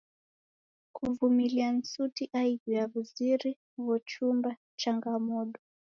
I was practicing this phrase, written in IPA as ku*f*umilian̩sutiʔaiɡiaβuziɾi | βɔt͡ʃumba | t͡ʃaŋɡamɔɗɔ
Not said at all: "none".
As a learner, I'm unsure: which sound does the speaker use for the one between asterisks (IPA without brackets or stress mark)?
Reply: v